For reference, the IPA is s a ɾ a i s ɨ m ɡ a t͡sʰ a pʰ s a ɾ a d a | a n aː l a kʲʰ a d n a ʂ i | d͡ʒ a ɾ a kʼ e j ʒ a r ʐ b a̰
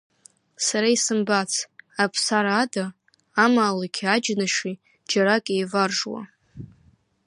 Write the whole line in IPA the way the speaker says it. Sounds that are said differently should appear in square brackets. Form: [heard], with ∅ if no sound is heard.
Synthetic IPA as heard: s a ɾ a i s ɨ m [b] a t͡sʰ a pʰ s a ɾ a d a | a [m] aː l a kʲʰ a [d͡ʒ] n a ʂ i | d͡ʒ a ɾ a kʼ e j [v] a r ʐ [w] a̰